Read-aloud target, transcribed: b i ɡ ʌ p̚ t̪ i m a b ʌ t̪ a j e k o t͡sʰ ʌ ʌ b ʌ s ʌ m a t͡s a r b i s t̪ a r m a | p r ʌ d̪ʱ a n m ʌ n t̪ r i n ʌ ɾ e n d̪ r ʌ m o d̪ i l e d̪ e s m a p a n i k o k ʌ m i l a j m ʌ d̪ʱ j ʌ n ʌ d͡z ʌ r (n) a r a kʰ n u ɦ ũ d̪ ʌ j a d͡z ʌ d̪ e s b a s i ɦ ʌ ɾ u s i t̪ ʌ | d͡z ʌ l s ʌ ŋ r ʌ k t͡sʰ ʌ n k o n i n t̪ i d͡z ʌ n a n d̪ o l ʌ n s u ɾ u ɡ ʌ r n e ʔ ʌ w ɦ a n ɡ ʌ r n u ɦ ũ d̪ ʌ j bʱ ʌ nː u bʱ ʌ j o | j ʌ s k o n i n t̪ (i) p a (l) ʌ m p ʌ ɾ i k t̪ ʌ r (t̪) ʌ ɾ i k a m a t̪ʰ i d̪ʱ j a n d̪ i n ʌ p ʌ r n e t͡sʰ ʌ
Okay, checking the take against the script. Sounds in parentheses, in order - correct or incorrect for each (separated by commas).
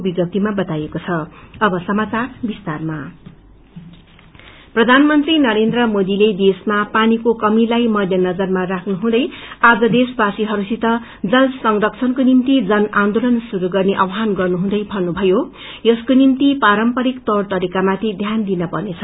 incorrect, correct, incorrect, correct